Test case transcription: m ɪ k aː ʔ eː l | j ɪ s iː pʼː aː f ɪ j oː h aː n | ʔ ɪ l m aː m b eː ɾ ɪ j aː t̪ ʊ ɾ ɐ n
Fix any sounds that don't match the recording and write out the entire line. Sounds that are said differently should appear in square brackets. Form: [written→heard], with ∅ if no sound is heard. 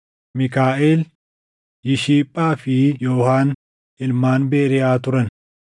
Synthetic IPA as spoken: m ɪ k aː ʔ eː l | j ɪ [s→ʃ] iː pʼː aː f ɪ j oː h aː n | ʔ ɪ l m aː [m→n] b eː ɾ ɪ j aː t̪ ʊ ɾ ɐ n